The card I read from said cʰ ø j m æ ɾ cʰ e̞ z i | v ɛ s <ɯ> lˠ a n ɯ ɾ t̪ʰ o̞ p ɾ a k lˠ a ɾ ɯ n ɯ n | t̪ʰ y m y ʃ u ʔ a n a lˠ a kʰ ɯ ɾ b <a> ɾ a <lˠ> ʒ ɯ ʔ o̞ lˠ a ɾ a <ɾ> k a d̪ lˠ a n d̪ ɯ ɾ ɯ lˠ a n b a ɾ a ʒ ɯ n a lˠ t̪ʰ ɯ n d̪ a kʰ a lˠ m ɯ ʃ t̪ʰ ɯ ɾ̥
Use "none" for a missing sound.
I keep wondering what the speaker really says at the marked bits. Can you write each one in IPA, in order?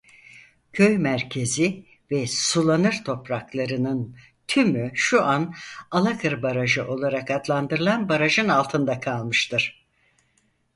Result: u, a, none, none

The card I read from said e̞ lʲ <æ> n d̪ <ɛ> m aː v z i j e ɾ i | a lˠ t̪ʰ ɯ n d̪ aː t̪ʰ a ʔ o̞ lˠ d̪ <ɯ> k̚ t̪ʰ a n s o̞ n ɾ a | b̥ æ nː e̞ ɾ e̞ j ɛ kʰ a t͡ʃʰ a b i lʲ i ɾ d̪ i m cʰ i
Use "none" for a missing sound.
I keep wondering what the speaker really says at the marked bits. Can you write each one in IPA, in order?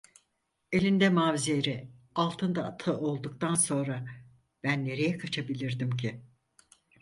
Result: i, ɛ, u

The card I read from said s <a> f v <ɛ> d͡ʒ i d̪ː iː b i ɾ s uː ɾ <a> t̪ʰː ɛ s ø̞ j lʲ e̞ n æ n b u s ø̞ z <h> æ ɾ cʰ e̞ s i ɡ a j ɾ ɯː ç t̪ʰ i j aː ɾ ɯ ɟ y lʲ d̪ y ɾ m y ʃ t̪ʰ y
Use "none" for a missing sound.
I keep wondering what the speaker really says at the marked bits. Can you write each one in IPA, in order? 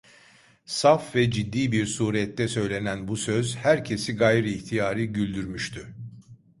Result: a, ɛ, ɛ, h

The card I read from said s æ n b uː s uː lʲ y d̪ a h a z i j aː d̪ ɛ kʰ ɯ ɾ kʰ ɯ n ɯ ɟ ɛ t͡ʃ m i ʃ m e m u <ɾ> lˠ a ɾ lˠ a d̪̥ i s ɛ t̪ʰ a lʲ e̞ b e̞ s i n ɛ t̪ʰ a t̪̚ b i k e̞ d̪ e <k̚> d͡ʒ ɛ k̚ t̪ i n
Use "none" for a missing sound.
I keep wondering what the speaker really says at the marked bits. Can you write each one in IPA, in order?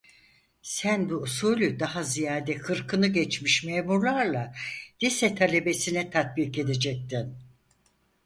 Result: ɾ, none

